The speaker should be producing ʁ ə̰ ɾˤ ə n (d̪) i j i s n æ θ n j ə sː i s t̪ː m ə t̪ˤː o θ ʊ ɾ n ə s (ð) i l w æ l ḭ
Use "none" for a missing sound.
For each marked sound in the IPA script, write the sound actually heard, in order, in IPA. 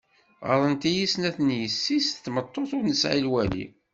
t̪, ʕ

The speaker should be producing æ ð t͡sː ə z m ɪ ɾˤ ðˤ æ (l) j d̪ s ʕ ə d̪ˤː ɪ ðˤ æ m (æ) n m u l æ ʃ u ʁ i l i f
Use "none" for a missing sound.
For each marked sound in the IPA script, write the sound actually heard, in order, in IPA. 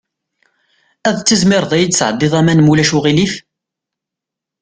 none, æ

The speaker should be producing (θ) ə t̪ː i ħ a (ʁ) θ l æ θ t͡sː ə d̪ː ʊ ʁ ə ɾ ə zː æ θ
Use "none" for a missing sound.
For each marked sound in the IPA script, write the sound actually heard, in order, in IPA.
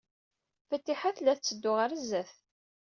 f, none

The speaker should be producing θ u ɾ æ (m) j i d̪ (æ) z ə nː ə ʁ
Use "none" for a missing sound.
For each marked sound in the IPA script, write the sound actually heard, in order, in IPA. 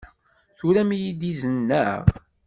m, i

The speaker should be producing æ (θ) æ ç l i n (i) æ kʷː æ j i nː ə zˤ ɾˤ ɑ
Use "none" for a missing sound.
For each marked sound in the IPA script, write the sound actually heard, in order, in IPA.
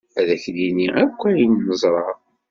ð, i

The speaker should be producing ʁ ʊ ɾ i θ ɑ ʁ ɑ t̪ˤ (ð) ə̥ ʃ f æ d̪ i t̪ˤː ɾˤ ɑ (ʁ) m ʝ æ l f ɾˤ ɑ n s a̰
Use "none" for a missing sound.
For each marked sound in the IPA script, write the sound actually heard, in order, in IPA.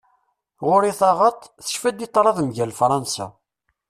θ, ð

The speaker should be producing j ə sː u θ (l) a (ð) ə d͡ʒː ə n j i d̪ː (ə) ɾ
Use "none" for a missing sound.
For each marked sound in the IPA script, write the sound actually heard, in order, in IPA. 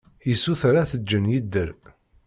ɾ, θ, ə

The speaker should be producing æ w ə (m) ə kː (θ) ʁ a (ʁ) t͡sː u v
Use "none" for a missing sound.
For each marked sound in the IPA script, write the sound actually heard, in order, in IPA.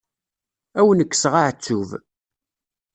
n, s, ʕ

